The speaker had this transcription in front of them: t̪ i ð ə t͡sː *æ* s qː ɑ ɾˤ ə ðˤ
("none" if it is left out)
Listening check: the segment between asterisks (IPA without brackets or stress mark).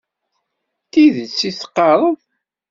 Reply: i